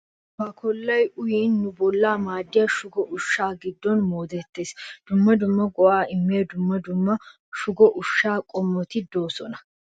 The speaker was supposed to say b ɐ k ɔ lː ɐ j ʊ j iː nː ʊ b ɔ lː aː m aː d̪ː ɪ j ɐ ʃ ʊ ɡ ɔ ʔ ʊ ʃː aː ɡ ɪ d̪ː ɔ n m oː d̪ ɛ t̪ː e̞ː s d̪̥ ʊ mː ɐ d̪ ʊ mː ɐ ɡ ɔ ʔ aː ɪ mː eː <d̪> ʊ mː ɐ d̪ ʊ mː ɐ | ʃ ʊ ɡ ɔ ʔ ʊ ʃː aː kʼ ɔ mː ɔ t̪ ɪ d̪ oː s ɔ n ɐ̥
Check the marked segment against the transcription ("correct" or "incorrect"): correct